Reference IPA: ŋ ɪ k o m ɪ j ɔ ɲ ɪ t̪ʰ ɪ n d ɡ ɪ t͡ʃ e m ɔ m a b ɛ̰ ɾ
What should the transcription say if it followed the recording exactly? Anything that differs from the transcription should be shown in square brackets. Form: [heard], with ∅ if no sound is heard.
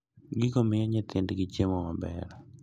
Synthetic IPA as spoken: [ɡ] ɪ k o m ɪ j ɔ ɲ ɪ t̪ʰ ɪ n d ɡ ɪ t͡ʃ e m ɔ m a b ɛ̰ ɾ